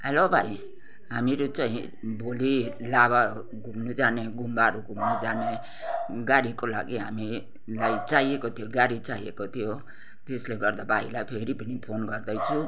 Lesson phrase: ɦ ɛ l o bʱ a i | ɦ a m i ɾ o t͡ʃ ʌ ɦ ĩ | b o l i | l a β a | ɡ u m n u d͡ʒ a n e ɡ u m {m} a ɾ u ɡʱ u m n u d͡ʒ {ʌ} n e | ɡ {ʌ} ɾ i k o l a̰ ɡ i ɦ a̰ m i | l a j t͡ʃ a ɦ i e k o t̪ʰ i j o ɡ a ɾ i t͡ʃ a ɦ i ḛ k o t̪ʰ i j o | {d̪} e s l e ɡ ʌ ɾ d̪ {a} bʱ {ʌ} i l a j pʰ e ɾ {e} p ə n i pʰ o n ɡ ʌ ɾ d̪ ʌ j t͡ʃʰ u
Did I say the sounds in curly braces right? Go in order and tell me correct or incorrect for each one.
incorrect, incorrect, incorrect, incorrect, correct, incorrect, incorrect

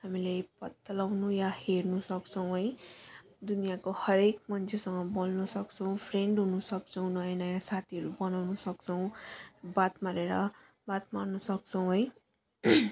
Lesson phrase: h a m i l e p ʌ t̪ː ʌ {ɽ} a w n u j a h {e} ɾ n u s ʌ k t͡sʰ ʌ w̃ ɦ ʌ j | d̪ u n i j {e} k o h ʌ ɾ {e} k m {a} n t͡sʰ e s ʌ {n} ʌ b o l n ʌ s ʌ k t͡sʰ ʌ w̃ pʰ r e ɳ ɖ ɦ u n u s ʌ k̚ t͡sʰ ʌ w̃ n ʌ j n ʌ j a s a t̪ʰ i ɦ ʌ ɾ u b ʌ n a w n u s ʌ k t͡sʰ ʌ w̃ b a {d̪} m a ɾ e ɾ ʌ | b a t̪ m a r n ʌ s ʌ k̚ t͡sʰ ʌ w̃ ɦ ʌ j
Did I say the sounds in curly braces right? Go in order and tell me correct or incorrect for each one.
incorrect, correct, incorrect, correct, incorrect, incorrect, incorrect

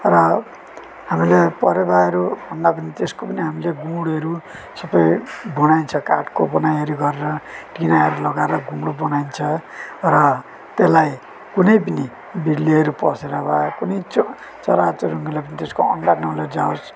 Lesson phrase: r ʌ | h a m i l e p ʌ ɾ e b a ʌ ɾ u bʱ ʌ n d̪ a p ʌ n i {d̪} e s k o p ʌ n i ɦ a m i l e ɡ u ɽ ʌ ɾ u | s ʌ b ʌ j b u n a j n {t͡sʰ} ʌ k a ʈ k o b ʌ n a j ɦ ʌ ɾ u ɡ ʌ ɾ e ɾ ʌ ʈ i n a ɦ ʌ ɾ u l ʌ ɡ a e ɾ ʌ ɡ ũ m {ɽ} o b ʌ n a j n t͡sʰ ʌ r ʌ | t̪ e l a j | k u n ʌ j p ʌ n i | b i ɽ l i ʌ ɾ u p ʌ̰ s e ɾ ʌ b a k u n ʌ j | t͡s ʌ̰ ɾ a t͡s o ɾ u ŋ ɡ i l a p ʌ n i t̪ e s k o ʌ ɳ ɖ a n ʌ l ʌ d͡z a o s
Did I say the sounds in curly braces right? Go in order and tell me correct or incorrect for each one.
incorrect, correct, correct

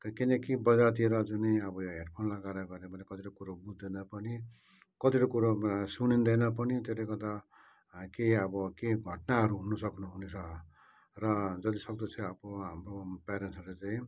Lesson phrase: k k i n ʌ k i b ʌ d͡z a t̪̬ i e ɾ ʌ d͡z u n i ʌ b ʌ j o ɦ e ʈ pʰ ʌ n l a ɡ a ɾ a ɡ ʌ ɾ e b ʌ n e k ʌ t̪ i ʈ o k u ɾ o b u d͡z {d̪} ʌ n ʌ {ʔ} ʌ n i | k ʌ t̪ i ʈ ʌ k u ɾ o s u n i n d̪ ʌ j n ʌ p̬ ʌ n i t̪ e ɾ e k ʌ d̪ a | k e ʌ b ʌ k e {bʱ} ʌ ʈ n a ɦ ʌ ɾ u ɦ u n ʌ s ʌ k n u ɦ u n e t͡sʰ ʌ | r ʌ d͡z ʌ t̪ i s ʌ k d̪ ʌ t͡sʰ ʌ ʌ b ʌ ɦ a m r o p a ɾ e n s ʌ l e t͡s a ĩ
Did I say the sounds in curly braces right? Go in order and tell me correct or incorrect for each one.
correct, incorrect, incorrect

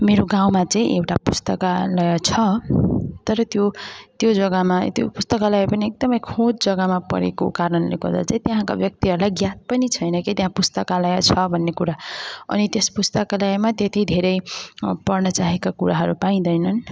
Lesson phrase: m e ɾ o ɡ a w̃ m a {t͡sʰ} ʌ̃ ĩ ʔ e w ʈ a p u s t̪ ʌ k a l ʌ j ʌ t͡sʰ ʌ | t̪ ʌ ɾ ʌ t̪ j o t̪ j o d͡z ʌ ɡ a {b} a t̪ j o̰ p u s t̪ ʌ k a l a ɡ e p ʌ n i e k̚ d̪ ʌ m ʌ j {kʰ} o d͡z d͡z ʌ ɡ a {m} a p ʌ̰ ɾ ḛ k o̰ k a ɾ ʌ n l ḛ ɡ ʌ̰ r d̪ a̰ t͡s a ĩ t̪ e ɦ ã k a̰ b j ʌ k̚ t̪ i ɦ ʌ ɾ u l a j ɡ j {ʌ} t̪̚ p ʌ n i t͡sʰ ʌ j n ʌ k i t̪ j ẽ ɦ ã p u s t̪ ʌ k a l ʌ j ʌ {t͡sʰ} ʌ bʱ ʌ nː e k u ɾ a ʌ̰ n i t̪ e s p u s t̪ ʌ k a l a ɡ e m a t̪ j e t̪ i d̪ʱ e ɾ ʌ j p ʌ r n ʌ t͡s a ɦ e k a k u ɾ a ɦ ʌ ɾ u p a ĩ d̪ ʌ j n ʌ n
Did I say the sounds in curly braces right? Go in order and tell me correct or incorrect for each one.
incorrect, incorrect, correct, correct, incorrect, correct

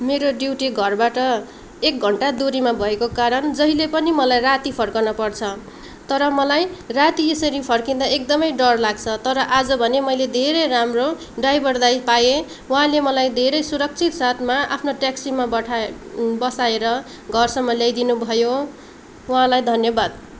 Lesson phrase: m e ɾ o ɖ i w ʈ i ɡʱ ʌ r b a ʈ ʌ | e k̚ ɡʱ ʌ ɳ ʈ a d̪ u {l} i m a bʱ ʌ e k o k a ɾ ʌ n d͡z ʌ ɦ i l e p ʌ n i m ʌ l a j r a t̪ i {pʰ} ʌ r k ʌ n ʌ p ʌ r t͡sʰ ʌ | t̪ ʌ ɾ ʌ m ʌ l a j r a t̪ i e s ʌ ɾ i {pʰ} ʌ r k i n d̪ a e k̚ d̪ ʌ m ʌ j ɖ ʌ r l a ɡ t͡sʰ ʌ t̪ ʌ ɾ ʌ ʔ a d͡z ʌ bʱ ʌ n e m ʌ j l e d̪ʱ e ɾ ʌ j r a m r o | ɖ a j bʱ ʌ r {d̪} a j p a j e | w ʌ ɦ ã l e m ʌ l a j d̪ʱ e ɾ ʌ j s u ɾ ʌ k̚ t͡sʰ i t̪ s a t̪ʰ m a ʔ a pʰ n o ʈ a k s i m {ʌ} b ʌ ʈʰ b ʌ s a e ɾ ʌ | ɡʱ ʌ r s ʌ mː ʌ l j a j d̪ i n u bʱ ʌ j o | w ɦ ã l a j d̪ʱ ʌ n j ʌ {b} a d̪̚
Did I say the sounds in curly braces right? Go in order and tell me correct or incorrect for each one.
incorrect, correct, correct, correct, incorrect, correct

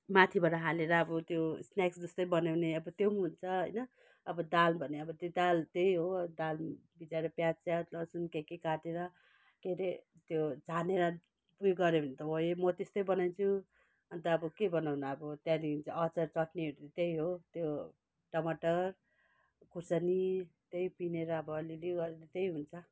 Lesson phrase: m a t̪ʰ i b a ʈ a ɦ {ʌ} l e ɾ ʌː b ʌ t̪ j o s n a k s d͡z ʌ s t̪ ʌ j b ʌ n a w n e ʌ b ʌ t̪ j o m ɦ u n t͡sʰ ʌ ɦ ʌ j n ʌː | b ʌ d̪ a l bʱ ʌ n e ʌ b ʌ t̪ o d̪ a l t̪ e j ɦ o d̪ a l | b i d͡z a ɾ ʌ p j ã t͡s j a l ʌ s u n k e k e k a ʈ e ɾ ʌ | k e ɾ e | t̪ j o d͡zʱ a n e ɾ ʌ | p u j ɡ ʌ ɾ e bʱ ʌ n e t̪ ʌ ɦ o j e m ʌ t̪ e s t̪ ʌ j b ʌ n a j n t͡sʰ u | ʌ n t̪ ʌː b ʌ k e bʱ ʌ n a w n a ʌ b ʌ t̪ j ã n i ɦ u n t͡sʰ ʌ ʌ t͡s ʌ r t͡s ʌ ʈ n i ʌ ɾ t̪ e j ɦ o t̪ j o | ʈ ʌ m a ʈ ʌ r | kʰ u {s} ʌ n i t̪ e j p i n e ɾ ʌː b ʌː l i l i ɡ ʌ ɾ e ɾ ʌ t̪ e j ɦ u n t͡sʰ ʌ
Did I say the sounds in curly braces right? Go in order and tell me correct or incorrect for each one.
incorrect, correct

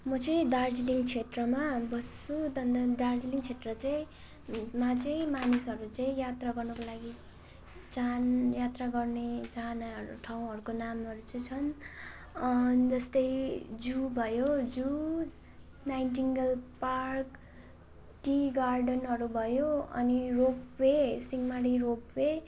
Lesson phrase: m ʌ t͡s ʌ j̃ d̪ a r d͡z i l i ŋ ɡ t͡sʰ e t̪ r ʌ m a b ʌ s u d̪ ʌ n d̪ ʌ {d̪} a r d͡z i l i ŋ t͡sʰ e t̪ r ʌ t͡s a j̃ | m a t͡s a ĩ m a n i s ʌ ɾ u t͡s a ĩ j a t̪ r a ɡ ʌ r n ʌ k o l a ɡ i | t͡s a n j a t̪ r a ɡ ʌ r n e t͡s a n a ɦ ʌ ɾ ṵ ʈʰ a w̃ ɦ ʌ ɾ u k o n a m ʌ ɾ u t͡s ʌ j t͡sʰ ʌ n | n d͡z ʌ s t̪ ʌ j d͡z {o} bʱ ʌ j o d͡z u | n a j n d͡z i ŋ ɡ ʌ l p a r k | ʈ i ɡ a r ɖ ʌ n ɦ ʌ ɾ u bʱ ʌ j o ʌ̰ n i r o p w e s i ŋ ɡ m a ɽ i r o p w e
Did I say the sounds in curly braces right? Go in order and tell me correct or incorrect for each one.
correct, incorrect

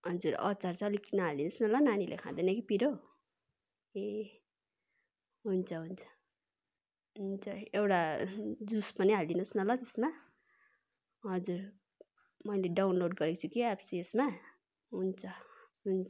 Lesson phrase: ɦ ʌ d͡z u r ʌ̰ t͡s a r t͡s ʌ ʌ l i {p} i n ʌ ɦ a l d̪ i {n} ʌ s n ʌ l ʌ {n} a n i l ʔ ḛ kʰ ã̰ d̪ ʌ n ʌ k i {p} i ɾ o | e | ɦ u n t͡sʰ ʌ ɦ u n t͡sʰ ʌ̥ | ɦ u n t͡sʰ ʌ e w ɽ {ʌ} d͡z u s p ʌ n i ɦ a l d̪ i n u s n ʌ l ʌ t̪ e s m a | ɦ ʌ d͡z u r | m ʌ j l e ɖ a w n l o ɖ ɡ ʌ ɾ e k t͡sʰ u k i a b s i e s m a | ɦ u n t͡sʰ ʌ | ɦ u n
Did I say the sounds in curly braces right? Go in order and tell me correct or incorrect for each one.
incorrect, correct, correct, correct, incorrect

